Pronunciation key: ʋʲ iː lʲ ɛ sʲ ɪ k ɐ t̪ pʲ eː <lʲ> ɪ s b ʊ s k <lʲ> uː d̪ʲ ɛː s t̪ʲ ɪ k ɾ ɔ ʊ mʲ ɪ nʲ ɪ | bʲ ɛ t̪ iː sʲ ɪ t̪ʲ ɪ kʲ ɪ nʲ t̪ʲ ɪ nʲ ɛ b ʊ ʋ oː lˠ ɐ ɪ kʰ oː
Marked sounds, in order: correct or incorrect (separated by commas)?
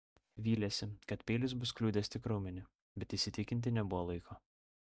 correct, correct